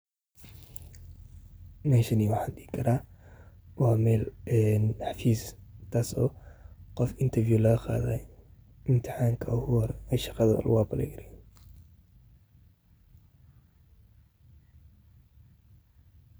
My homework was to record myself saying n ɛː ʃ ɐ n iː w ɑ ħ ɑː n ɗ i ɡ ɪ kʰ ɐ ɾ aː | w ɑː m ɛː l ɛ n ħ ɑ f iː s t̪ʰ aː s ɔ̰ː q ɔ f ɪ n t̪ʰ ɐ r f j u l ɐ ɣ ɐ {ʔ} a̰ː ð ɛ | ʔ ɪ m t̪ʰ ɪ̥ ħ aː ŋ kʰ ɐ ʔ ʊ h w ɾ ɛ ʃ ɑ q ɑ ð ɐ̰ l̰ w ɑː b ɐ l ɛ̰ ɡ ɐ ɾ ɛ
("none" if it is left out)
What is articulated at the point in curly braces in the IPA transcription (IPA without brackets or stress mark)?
q